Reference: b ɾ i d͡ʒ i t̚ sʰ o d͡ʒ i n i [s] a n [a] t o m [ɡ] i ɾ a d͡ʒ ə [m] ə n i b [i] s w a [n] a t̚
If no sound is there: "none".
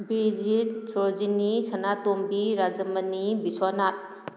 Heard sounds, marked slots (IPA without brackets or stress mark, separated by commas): s, a, b, m, i, n